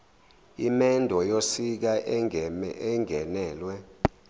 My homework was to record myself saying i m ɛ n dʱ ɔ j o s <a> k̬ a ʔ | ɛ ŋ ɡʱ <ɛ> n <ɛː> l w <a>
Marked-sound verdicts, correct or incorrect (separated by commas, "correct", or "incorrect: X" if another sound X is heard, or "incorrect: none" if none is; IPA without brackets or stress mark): incorrect: i, correct, correct, incorrect: ɛ